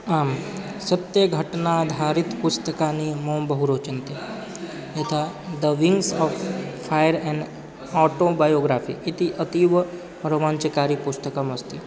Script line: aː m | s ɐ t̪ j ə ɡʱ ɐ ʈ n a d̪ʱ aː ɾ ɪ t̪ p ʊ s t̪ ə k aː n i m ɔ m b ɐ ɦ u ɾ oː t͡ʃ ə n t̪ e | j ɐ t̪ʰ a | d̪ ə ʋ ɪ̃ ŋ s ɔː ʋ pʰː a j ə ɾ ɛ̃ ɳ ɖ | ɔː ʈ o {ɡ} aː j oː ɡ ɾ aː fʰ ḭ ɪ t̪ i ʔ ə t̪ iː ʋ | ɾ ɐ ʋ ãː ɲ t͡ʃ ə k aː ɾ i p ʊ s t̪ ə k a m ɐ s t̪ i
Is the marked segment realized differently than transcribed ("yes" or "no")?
yes